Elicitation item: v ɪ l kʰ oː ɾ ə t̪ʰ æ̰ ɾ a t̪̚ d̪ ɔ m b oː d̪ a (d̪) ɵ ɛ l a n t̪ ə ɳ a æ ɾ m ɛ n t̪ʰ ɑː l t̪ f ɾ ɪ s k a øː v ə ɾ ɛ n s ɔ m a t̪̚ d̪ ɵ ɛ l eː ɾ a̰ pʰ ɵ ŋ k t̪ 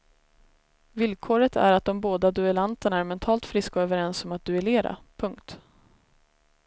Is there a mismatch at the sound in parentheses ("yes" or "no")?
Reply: no